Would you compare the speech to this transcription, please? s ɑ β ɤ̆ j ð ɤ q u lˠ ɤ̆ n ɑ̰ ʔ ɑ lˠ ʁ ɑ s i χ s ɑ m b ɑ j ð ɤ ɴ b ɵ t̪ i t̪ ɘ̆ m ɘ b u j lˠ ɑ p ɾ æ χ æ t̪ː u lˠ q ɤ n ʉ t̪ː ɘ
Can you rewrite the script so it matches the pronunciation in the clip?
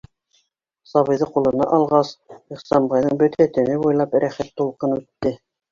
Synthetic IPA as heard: s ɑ β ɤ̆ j ð ɤ q u lˠ ɤ̆ n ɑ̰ ʔ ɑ lˠ ʁ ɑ s i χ s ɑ m b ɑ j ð ɤ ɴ b ɵ t̪ æ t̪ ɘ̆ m ɘ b u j lˠ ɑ p ɾ æ χ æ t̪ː u lˠ q ɤ n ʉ t̪ː ɘ